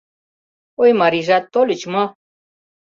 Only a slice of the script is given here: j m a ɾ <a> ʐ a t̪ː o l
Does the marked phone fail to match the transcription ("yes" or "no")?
yes